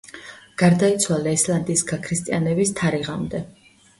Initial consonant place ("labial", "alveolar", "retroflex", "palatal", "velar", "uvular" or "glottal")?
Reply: velar